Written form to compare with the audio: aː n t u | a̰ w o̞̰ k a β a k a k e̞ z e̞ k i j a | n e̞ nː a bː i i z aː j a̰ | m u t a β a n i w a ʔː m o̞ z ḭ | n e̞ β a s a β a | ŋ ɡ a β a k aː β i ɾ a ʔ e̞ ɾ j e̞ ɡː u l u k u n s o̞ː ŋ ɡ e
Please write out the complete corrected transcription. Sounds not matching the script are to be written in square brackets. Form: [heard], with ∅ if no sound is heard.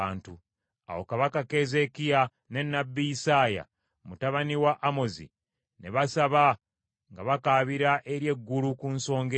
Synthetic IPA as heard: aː n t u | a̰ w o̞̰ k a β a k a k e̞ z e̞ k i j a | n e̞ nː a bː i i [s] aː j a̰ | m u t a β a n i w a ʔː m o̞ z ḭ | n e̞ β a s a β a | ŋ ɡ a β a k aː β i ɾ a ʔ e̞ ɾ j e̞ ɡː u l u k u n s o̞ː ŋ ɡ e

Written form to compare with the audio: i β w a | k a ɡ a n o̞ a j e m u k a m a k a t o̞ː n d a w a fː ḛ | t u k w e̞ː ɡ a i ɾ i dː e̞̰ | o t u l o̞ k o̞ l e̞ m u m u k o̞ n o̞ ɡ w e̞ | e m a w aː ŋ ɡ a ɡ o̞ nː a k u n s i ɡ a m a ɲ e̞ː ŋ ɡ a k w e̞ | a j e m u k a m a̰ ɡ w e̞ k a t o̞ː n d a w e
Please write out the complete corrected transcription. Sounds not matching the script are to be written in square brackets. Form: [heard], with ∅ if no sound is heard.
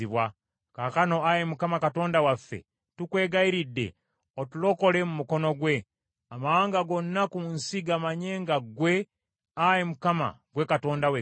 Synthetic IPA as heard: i β w a | k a [k] a n o̞ a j e m u k a m a k a t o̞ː n d a w a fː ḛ | t u k w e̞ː ɡ a i ɾ i dː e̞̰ | o t u l o̞ k o̞ l e̞ m u m u k o̞ n o̞ ɡ w e̞ | [a] m a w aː ŋ ɡ a ɡ o̞ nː a k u n s i ɡ a m a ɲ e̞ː ŋ ɡ a [ɡ] w e̞ | a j e m u k a m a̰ ɡ w e̞ k a t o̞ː n d a w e

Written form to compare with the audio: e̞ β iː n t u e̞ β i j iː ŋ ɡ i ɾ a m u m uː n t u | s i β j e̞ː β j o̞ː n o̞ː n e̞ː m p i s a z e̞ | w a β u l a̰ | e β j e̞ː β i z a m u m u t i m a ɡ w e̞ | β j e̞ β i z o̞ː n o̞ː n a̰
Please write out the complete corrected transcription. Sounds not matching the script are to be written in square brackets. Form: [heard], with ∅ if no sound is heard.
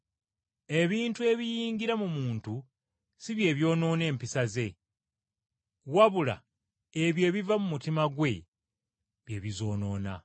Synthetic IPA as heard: e̞ β iː n t u e̞ β i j iː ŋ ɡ i ɾ a m u m uː n t u | s i β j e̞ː β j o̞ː n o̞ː n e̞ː m p i s a z e̞ | w a β u l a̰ | e β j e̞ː β i [v] a m u m u t i m a ɡ w e̞ | β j e̞ β i z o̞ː n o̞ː n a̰

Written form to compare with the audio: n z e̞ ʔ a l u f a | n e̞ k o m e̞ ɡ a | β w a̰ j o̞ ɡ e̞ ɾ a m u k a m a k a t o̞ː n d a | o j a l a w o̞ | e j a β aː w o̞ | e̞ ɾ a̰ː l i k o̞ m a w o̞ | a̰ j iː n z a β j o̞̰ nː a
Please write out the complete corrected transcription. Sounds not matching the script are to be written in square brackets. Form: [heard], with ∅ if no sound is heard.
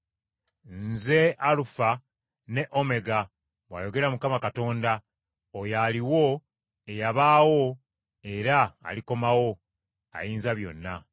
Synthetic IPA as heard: n z e̞ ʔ a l u f a | n e̞ [ʔ] o m e̞ ɡ a | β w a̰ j o̞ ɡ e̞ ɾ a m u k a m a k a t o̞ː n d a | o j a l [i] w o̞ | e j a β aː w o̞ | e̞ ɾ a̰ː l i k o̞ m a w o̞ | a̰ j iː n z a β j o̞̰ nː a

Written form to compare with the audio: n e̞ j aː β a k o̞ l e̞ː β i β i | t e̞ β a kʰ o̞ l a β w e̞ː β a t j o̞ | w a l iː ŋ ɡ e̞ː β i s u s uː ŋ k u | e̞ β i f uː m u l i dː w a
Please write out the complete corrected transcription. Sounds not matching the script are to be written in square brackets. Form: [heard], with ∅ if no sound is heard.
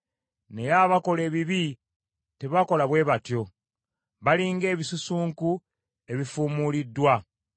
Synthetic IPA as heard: n e̞ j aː β a k o̞ l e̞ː β i β i | t e̞ β a [k] o̞ l a β w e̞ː β a t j o̞ | [β] a l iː ŋ ɡ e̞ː β i s u s uː ŋ k u | e̞ β i f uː m u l i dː w a

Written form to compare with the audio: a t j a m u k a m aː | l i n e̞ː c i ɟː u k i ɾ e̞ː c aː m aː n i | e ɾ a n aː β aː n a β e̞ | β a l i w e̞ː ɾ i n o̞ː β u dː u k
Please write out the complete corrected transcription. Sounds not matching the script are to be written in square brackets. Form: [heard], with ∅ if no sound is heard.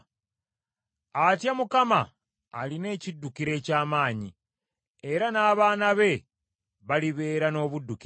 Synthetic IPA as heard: a t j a m u k a m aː | l i n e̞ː c i [dː] u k i ɾ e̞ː c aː m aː [ɲ] i | e ɾ a n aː β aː n a β e̞ | β a l i [β] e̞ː ɾ [a] n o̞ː β u dː u k

